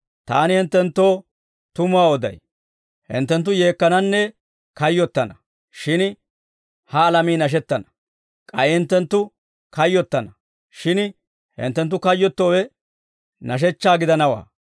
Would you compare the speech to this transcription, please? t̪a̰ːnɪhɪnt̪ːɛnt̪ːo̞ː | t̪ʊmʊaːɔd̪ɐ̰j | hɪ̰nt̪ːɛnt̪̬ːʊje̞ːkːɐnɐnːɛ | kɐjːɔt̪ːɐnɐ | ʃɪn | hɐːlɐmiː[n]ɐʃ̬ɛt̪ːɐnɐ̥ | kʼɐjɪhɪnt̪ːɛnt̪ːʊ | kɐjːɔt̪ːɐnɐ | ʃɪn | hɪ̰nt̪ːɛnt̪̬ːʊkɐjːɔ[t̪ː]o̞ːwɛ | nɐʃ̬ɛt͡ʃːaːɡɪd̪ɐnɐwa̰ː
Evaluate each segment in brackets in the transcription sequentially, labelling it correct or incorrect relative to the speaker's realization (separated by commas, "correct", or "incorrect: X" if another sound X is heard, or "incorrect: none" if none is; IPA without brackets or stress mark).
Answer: correct, correct